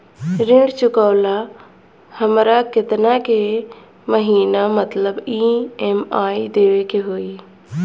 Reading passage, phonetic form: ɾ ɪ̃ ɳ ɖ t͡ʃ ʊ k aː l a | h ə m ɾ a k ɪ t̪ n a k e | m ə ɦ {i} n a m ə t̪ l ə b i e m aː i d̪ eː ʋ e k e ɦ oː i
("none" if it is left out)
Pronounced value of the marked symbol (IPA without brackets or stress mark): iː